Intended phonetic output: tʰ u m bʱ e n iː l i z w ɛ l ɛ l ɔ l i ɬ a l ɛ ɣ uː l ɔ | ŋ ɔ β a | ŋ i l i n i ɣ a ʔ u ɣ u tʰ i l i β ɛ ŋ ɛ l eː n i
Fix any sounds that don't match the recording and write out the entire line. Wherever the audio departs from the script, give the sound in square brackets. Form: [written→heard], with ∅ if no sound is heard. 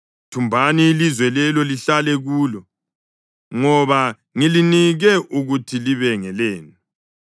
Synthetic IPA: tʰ u m bʱ [e→a] n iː l i z w ɛ l ɛ l ɔ l i ɬ a l ɛ ɣ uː l ɔ | ŋ ɔ β a | ŋ i l i n i ɣ [a→ɛ] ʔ u ɣ u tʰ i l i β ɛ ŋ ɛ l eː n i